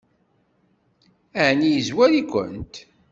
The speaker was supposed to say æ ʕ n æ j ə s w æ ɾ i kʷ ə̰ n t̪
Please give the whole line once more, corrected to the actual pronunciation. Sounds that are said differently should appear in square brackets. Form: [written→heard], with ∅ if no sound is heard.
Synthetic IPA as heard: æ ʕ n [æ→i] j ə [s→z] w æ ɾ i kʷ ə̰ n t̪